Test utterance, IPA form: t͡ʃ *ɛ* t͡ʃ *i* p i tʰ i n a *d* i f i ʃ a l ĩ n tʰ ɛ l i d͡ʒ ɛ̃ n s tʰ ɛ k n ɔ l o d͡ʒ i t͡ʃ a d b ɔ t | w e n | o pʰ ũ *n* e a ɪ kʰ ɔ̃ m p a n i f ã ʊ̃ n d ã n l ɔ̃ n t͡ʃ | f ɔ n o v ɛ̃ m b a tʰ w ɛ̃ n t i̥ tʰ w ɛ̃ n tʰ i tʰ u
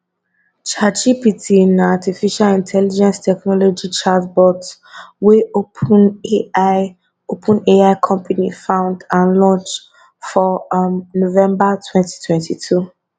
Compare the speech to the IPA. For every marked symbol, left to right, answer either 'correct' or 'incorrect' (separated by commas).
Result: incorrect, correct, incorrect, correct